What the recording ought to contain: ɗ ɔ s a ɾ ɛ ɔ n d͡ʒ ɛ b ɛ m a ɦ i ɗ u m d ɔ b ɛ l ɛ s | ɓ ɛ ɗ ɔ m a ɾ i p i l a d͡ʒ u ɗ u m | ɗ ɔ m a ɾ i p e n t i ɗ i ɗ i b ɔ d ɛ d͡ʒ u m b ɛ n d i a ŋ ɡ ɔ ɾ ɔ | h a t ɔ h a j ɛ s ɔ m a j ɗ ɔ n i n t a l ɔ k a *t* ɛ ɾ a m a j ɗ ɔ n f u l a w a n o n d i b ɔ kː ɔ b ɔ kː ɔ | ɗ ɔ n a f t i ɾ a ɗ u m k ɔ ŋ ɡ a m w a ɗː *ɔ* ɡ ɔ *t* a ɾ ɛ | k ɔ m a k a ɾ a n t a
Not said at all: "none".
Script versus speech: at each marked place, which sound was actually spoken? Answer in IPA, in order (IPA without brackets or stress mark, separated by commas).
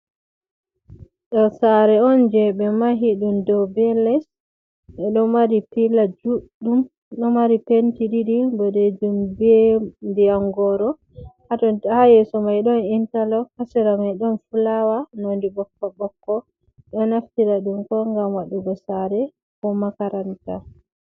s, u, s